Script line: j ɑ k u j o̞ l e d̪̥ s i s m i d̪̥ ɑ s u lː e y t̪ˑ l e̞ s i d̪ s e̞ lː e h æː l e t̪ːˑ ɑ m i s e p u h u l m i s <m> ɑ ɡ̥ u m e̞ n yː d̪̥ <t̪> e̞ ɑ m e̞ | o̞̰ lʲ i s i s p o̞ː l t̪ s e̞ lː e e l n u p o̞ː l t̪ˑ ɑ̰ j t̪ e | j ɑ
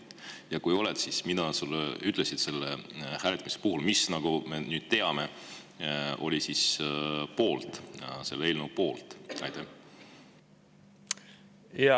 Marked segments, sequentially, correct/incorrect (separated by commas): incorrect, correct